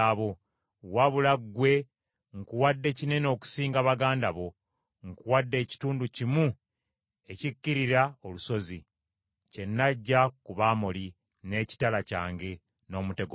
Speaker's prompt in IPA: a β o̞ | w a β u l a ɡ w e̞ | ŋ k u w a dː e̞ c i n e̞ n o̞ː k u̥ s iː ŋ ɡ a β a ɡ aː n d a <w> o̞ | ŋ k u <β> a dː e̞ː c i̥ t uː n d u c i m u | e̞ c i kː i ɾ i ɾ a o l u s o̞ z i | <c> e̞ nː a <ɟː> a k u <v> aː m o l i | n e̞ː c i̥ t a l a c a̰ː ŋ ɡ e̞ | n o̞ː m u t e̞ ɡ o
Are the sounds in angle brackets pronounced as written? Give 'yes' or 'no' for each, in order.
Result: no, no, yes, yes, no

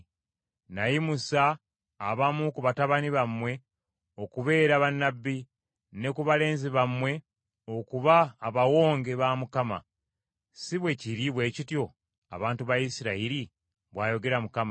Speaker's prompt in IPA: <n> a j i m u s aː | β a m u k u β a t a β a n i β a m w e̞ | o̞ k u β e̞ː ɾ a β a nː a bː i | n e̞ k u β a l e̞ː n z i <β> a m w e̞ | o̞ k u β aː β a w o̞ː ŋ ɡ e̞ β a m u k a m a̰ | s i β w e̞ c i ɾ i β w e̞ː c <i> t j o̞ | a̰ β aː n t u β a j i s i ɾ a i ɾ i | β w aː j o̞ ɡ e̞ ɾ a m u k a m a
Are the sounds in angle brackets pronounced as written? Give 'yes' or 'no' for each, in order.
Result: yes, yes, yes

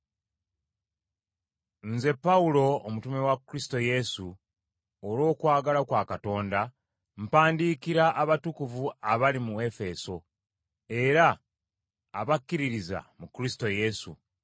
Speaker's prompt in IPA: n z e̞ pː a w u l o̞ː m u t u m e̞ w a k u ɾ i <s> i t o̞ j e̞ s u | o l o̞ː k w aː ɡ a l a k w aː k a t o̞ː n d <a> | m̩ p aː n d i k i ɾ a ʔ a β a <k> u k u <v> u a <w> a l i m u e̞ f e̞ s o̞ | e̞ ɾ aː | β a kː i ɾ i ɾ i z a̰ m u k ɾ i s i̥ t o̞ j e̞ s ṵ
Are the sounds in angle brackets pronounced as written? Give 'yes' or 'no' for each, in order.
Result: yes, yes, no, yes, no

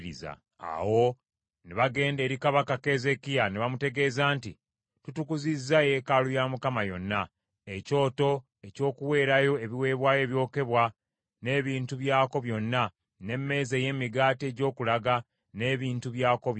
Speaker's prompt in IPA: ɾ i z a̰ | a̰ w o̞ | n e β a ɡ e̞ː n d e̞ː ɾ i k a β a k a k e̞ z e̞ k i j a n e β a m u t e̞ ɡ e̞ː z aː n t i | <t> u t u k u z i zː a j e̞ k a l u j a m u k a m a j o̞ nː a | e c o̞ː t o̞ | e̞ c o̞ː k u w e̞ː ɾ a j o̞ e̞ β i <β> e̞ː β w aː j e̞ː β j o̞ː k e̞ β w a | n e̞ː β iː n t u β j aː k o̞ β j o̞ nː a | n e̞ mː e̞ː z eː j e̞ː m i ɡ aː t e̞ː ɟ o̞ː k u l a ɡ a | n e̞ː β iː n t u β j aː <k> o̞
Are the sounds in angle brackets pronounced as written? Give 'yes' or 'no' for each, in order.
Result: yes, no, yes

